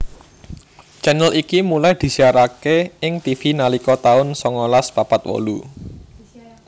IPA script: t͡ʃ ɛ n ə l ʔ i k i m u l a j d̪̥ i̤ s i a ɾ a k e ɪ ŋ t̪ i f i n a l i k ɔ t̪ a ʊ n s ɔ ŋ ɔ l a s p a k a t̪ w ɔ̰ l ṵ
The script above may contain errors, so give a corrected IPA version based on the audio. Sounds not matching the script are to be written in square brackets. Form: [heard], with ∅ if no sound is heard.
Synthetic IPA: t͡ʃ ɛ n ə l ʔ i k i m u l a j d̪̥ i̤ s i a ɾ a k e ɪ ŋ t̪ i f i n a l i k ɔ t̪ a ʊ n s ɔ ŋ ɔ l a s p a [p] a t̪ w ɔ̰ l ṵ